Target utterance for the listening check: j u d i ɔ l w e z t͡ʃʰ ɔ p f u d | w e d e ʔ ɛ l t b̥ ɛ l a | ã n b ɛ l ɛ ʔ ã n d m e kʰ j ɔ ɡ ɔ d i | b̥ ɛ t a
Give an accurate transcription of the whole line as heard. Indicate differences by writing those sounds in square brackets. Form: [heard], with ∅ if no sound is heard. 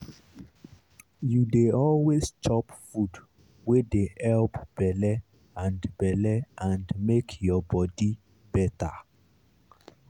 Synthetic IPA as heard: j u d [e] ɔ l w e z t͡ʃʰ ɔ p f u d | w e d e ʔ ɛ l [p] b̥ ɛ l [ɛ] | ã n b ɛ l ɛ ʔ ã n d m e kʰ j ɔ [b] ɔ d i | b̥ ɛ t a